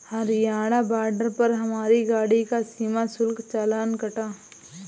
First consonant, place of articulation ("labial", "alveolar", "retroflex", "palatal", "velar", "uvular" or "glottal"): glottal